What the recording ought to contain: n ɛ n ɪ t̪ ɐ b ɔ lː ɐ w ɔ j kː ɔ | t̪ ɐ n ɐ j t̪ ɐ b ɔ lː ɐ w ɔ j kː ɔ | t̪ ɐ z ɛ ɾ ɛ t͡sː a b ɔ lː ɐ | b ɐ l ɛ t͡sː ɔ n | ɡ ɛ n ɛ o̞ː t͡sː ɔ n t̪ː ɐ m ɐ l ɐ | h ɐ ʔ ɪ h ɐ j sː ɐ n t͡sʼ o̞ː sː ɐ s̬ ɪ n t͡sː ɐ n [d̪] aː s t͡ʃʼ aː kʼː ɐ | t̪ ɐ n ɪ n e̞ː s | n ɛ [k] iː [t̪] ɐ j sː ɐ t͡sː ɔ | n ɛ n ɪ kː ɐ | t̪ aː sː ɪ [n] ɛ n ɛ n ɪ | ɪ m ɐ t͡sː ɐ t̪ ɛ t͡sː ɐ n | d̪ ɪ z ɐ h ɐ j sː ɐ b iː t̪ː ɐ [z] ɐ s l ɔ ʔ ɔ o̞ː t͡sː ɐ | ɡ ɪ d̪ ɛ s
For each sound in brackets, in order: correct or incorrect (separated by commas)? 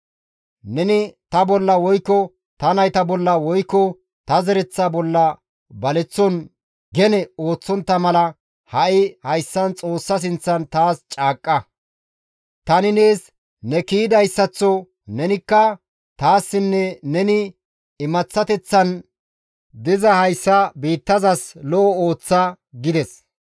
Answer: incorrect, correct, incorrect, incorrect, correct